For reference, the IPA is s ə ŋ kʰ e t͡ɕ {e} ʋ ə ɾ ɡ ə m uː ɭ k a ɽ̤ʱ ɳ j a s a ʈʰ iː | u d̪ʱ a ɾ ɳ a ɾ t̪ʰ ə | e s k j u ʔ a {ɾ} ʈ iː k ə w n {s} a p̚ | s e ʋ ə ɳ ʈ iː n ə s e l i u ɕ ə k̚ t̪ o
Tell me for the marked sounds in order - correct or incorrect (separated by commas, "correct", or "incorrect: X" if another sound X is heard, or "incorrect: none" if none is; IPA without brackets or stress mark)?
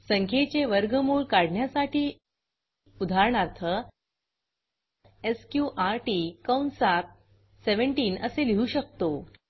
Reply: correct, correct, correct